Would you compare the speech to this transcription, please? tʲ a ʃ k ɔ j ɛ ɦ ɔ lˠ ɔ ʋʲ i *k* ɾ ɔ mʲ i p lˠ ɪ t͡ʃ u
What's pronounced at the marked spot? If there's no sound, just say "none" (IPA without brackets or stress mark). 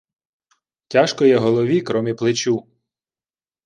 k